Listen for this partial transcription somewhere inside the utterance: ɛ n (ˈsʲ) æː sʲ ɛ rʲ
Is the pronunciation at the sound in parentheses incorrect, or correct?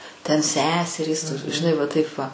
correct